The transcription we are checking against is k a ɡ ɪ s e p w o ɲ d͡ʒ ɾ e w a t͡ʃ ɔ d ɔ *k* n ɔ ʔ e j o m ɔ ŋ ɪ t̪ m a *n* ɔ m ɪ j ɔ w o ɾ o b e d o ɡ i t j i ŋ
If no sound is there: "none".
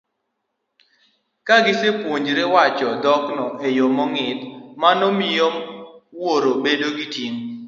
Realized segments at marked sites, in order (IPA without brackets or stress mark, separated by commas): k, n